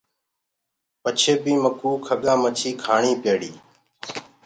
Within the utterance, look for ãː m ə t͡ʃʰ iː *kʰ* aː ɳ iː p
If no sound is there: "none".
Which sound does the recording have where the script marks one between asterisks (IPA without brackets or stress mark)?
kʰ